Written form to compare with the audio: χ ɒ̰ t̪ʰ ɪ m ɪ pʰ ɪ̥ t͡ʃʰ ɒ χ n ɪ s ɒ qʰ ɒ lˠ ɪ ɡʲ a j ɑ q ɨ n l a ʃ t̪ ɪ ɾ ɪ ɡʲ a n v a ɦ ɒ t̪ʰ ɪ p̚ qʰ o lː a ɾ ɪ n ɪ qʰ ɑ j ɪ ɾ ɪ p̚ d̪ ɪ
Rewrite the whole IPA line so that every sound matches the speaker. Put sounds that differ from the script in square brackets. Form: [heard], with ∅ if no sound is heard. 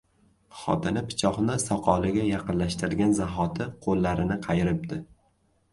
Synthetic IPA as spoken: χ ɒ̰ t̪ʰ ɪ [n] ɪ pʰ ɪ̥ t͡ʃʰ ɒ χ n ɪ s ɒ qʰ ɒ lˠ ɪ ɡʲ a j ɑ q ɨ n l a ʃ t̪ ɪ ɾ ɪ ɡʲ a n [z] a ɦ ɒ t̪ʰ ɪ [∅] qʰ o lː a ɾ ɪ n ɪ qʰ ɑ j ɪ ɾ ɪ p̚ d̪ ɪ

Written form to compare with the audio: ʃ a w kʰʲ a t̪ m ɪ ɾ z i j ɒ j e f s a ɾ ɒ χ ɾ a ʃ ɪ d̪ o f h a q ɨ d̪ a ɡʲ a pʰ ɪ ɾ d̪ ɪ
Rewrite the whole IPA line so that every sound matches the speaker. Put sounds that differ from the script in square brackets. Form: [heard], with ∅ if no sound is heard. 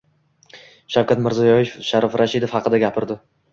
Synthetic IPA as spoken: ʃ a w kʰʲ a t̪ m ɪ ɾ z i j ɒ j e f [ʃ] a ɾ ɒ [f] ɾ a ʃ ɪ d̪ o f h [ɑ] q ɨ d̪ a ɡʲ a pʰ ɪ ɾ d̪ ɪ

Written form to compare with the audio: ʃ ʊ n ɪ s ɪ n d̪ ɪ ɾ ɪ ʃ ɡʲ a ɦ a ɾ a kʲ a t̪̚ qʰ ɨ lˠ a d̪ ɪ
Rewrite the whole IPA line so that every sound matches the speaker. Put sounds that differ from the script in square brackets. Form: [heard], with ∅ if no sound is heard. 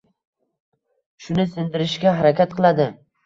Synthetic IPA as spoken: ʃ ʊ n ɪ s ɪ n d̪ ɪ ɾ ɪ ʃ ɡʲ a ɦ a ɾ a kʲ a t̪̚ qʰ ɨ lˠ a d̪ ɪ

